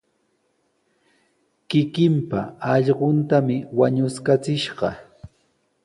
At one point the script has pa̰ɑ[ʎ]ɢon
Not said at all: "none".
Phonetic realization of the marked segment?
ʎ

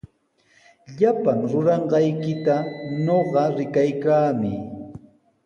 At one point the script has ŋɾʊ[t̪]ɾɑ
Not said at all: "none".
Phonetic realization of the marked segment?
none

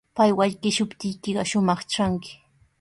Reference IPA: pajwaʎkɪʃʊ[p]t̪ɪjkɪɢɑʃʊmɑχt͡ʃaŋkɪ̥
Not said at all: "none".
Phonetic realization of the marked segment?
p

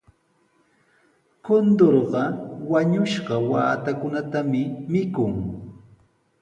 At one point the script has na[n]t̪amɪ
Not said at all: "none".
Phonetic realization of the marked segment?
none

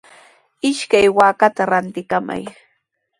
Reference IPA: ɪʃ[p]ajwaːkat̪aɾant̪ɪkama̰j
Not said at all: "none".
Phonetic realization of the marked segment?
k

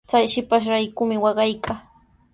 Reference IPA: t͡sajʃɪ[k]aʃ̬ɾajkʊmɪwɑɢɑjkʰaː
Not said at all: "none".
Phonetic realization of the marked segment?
p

